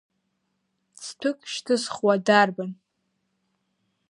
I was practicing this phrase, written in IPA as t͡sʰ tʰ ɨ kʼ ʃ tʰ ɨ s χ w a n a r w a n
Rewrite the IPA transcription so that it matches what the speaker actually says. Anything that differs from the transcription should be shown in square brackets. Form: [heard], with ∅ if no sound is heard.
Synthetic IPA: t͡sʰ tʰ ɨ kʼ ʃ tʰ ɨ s χ w a [d] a r [b] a n

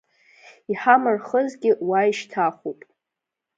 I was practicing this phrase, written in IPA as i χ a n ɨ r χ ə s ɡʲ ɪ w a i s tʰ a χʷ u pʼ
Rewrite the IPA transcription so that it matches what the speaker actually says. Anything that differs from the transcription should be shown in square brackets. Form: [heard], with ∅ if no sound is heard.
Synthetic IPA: i [ħ] a [m] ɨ r χ ə [z] ɡʲ ɪ w a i [ʃ] tʰ a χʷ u pʼ

